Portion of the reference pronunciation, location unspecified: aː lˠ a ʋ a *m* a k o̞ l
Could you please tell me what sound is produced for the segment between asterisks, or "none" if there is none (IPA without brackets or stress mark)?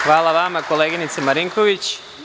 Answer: m